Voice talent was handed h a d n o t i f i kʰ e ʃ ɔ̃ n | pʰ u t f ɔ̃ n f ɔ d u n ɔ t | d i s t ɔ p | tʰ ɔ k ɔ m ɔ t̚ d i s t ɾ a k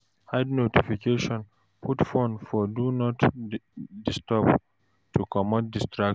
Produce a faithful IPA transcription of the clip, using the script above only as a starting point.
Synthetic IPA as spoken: h a d n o t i f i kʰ e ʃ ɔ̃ n | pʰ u t f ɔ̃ n f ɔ d u n ɔ t | d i s t ɔ p | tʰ u k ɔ m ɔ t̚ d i s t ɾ a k